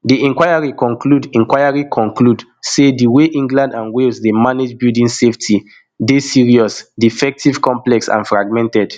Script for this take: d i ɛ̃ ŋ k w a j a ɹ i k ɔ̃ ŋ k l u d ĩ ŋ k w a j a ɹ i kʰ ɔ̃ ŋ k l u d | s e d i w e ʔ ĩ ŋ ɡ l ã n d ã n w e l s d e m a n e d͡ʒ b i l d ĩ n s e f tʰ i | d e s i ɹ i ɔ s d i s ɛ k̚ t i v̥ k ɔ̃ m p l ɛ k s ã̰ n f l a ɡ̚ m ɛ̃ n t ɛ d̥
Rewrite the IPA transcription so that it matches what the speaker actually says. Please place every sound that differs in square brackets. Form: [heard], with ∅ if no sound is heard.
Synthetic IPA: d i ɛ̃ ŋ k w a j a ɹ i k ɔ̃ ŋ k l u d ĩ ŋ k w a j a ɹ i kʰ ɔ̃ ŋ k l u d | s e d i w e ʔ ĩ ŋ ɡ l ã n d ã n w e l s d e m a n e d͡ʒ b i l d ĩ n s e f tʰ i | d e s i ɹ i ɔ s d i [f] ɛ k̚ t i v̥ k ɔ̃ m p l ɛ k s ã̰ n f [ɹ] a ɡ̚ m ɛ̃ n t ɛ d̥